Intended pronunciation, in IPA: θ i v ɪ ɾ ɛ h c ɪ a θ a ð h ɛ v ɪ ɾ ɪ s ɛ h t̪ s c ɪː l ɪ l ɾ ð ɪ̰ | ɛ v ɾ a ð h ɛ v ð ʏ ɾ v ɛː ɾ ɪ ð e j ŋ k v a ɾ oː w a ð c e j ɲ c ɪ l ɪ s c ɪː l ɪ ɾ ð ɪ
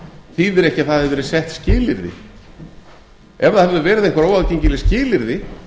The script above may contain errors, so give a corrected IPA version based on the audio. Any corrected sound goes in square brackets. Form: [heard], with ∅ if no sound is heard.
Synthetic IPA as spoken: θ i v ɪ ɾ ɛ h c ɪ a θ a ð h ɛ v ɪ ɾ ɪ s ɛ h t̪ s c ɪː l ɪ [∅] ɾ ð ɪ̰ | ɛ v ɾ a ð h ɛ v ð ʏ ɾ v ɛː ɾ ɪ ð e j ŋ k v a ɾ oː w a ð c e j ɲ c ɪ l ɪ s c ɪː l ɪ ɾ ð ɪ